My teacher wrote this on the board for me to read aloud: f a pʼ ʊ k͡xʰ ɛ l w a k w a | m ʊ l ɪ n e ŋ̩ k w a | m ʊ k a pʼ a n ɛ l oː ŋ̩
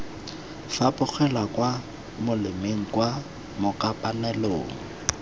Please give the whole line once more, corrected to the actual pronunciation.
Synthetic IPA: f a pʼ ʊ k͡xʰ ɛ l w a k w a | m ʊ l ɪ m e ŋ̩ k w a | m ʊ k a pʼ a n ɛ l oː ŋ̩